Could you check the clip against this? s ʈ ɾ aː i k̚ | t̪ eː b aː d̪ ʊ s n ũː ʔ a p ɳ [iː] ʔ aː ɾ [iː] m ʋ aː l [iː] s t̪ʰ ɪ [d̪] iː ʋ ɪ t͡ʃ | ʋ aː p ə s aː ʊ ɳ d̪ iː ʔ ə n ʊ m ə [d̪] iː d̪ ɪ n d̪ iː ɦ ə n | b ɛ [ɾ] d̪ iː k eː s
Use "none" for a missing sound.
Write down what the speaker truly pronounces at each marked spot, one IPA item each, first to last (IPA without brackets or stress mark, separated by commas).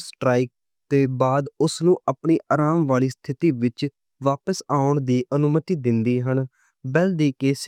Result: iː, aː, iː, t̪, t̪, l